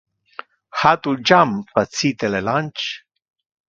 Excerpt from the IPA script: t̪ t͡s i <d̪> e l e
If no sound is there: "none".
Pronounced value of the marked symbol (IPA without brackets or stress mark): t̪